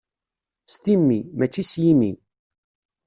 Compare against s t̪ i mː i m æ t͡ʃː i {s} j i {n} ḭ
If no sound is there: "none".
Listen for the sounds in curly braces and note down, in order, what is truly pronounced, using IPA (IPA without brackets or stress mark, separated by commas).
s, m